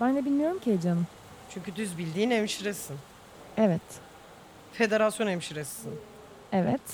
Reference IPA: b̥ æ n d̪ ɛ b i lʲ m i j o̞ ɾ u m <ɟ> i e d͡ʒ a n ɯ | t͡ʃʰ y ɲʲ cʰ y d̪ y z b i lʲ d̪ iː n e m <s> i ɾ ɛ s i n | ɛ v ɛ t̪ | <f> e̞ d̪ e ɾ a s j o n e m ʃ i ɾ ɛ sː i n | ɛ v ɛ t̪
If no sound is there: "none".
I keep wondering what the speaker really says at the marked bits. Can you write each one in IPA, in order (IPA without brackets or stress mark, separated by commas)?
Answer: c, ʃ, f